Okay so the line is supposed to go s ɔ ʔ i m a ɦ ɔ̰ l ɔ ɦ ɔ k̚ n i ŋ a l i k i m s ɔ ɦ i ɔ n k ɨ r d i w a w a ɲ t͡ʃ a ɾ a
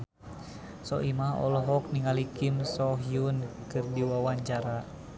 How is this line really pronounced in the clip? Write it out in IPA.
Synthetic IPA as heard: s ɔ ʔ i m a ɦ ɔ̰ l ɔ ɦ ɔ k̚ n i ŋ a l i k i m s ɔ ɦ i u n k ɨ r d i w a w a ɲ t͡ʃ a ɾ a